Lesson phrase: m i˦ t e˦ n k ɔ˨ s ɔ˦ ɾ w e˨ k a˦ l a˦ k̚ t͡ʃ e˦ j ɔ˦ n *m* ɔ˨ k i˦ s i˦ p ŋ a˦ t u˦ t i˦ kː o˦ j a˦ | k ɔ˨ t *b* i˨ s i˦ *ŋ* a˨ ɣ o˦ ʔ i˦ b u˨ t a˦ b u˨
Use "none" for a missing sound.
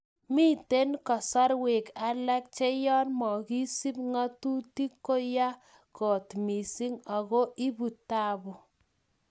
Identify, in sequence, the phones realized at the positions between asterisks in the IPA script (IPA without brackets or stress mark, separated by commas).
m, m, ŋ